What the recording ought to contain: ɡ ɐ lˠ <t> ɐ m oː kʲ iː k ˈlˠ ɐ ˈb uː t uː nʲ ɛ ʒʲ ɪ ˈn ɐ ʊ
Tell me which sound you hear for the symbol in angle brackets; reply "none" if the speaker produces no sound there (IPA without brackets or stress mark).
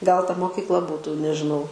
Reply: t